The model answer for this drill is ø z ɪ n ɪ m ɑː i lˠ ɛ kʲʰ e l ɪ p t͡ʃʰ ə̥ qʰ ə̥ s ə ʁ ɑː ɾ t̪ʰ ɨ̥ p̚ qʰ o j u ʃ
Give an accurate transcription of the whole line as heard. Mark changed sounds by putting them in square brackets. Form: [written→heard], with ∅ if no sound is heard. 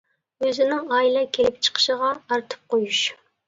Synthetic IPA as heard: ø z ɪ n ɪ [m→ŋ] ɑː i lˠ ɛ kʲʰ e l ɪ p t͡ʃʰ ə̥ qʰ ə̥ [s→ʃ] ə ʁ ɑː ɾ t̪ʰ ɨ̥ p̚ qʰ o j u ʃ